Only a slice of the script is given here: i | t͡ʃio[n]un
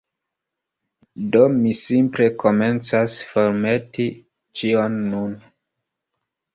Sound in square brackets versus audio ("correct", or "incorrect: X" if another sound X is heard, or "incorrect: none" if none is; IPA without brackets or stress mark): incorrect: nː